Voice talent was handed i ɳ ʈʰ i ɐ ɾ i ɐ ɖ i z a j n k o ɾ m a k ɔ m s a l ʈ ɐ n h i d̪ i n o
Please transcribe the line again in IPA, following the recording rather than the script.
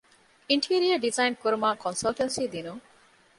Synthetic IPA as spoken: i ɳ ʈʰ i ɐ ɾ i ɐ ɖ i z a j n k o ɾ m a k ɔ n s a l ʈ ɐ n s i d̪ i n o